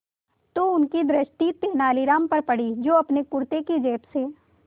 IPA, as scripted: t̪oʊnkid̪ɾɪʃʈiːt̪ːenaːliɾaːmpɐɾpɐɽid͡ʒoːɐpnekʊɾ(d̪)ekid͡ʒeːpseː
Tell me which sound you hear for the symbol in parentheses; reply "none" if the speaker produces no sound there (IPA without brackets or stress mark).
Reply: t̪